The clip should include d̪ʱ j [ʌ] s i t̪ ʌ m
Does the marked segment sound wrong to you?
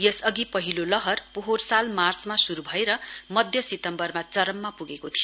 no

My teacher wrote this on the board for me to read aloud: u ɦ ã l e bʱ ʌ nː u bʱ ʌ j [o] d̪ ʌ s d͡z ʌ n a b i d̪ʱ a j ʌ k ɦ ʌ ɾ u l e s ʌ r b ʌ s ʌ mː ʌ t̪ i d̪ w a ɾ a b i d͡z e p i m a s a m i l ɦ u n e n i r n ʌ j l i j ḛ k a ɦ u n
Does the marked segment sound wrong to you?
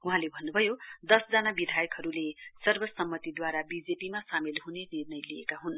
no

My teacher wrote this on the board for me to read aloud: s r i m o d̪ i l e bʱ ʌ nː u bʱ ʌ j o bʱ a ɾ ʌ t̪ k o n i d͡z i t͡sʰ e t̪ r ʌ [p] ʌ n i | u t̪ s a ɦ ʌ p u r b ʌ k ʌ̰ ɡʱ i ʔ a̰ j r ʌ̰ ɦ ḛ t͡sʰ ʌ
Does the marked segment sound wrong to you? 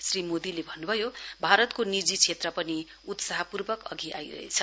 no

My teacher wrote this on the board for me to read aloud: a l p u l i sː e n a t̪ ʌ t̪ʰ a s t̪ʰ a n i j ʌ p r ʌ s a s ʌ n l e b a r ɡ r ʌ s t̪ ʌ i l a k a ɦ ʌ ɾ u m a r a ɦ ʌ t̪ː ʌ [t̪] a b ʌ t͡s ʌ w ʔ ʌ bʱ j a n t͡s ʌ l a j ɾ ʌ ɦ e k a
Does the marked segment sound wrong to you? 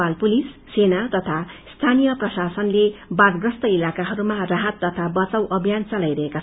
yes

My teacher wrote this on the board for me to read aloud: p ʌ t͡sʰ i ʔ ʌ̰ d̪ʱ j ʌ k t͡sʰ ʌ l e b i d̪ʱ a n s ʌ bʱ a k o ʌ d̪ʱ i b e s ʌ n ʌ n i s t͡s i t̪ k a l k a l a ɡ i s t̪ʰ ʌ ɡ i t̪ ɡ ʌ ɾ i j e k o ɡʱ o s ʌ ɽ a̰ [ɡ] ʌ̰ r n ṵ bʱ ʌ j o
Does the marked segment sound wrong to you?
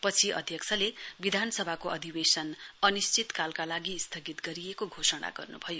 no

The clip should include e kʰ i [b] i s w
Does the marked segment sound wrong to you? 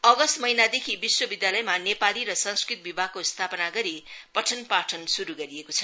no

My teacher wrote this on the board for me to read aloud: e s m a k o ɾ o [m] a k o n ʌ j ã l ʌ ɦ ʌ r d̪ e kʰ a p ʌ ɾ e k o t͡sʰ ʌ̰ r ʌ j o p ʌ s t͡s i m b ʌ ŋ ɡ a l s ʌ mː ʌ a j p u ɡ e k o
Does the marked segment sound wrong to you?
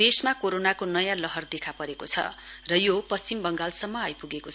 yes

